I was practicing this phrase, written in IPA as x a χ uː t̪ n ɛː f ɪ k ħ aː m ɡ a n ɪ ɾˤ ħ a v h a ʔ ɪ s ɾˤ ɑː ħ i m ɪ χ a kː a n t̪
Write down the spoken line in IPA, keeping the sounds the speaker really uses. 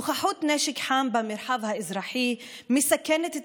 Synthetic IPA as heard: x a ħ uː t̪ n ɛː ʃ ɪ k ħ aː m b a m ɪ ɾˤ ħ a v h a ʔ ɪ z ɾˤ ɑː ħ i m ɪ s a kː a n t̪